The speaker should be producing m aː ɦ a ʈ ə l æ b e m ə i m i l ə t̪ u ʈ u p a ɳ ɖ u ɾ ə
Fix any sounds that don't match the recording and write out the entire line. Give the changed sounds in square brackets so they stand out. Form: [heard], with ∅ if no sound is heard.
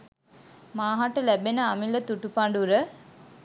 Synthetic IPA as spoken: m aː ɦ a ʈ ə l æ b e [n] ə [a] m i l ə t̪ u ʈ u p a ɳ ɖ u ɾ ə